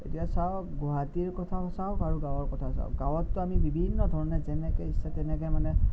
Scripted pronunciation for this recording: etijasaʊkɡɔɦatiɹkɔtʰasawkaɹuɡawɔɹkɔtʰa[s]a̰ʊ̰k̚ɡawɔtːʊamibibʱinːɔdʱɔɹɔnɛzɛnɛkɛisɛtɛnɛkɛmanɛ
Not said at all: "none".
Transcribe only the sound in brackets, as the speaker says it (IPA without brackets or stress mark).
s